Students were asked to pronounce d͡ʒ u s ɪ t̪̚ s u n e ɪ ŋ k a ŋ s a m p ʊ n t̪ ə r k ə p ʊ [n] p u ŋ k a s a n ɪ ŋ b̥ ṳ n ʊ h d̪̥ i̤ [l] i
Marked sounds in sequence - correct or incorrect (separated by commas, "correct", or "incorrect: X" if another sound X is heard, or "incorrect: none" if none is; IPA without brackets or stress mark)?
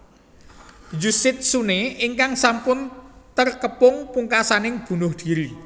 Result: incorrect: ŋ, incorrect: ɾ